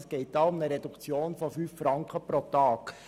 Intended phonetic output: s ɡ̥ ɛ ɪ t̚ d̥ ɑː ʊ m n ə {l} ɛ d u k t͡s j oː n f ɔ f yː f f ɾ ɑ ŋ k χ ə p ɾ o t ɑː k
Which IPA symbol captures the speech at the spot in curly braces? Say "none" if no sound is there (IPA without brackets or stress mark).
ɾ